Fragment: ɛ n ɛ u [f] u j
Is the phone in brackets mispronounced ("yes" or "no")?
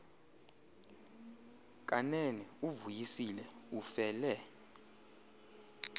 yes